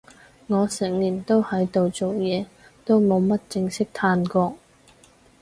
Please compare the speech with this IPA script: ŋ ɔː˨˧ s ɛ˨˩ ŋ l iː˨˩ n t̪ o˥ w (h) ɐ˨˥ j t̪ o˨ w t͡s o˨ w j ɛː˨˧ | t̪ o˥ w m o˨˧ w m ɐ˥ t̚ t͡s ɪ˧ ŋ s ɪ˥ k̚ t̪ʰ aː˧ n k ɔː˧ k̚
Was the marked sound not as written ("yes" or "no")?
no